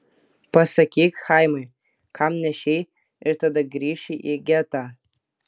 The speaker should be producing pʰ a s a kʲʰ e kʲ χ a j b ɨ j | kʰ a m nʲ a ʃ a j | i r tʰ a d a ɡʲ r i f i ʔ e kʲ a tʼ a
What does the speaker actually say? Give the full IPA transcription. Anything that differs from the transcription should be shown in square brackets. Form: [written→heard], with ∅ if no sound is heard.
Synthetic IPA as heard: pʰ a s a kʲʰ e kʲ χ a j [b→m] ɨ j | kʰ a m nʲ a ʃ [a→e] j | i r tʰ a d a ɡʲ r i [f→ʃ] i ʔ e [kʲ→ɡʲ] a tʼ a